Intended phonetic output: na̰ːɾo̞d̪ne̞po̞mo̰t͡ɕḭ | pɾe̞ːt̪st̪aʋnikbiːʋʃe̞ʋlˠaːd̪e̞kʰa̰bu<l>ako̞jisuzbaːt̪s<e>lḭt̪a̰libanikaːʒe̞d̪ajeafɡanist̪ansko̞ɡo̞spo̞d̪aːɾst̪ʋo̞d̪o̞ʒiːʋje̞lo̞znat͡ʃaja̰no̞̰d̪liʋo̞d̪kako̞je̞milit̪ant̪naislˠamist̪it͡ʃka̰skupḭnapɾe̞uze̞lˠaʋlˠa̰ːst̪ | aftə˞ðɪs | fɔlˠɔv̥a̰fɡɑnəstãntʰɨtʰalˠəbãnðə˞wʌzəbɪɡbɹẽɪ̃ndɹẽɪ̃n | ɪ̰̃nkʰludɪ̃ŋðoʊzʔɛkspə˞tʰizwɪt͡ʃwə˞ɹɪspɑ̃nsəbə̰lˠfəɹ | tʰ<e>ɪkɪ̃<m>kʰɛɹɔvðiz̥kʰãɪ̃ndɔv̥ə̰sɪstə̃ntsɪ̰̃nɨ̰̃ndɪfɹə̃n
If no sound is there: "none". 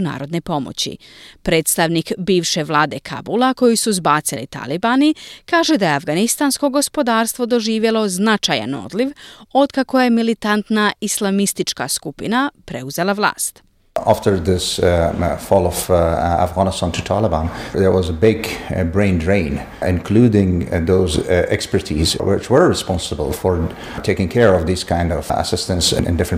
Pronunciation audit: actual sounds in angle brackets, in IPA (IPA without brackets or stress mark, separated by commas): l, i, e, ŋ